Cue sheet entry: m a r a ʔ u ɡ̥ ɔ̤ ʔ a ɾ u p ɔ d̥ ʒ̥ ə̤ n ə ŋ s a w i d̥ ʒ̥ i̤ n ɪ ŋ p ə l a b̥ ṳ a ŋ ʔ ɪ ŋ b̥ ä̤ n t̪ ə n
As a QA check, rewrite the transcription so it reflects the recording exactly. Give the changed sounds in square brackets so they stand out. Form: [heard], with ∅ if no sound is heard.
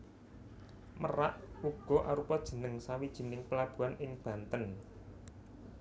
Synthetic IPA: m [ə] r a ʔ u ɡ̥ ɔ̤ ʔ a ɾ u p ɔ d̥ ʒ̥ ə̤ n ə ŋ s a w i d̥ ʒ̥ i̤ n ɪ ŋ p ə l a b̥ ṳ a [n] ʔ ɪ ŋ b̥ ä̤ n t̪ ə n